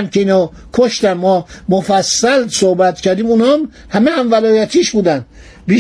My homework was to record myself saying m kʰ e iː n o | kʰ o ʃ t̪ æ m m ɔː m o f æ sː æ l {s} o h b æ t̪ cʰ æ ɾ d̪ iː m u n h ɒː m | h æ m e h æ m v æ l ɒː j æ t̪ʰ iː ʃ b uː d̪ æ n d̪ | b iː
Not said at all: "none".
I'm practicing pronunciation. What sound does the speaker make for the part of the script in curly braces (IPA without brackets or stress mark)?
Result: s